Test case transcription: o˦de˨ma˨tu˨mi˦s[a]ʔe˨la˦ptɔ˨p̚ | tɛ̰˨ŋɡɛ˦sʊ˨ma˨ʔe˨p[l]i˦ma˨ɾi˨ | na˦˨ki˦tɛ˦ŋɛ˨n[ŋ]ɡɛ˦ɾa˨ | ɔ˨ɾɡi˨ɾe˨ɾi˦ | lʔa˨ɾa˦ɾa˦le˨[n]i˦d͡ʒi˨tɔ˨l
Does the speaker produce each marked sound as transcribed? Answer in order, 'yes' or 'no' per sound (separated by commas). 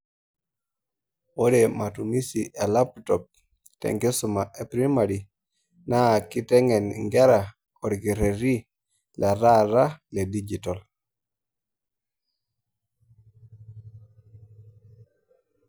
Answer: no, no, yes, no